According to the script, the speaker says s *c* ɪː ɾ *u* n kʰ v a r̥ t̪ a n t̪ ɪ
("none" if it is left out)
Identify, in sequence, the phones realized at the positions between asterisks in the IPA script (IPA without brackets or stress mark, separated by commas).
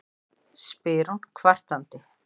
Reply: p, u